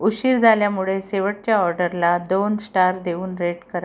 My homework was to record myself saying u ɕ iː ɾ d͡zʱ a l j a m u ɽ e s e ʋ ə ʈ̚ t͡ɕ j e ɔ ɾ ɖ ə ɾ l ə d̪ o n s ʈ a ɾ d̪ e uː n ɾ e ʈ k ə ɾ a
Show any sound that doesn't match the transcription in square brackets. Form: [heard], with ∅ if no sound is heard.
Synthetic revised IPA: u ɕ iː ɾ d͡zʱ a l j a m u [ɭ] e s e ʋ ə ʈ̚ t͡ɕ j [a] ɔ ɾ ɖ ə ɾ l [a] d̪ o n s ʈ a ɾ d̪ e uː n ɾ e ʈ k ə ɾ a